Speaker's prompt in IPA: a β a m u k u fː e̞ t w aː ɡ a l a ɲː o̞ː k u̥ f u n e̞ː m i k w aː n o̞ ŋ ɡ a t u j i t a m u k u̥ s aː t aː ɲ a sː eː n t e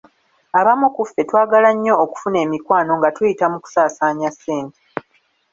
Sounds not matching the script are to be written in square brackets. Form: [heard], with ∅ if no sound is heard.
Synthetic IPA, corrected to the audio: a β a m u k u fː e̞ t w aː ɡ a l a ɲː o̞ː k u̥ f u n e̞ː m i k w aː n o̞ ŋ ɡ a t u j i t a m u k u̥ s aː [s] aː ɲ a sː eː n t e